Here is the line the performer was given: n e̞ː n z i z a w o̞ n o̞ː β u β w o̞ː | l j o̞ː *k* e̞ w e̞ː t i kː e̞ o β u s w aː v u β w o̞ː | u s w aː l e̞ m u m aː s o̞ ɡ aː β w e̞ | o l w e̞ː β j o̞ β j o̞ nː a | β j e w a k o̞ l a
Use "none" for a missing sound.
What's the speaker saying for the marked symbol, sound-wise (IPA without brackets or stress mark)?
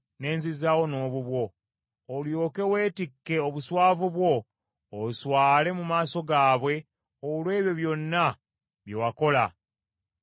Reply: k